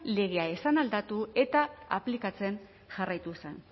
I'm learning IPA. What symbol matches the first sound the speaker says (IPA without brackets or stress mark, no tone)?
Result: l